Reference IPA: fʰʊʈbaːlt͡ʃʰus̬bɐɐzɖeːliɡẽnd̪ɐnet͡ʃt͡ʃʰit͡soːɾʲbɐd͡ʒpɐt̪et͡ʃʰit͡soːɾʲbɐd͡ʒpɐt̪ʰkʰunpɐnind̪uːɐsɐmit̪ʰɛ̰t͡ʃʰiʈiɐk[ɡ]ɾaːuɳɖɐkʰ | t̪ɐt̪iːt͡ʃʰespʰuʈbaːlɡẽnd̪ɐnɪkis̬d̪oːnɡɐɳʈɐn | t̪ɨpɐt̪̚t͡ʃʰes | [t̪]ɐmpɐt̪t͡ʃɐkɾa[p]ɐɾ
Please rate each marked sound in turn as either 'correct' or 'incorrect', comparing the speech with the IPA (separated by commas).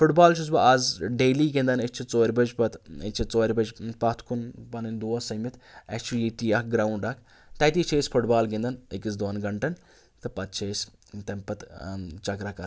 correct, correct, incorrect